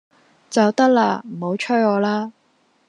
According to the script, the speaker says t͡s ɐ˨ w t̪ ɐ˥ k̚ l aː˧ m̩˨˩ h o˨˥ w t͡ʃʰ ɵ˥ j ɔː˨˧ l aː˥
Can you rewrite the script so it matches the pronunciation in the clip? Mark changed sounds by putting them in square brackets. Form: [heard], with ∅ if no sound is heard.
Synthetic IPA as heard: t͡s ɐ˨ w t̪ ɐ˥ k̚ l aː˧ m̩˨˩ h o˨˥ w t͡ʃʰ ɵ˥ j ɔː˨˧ l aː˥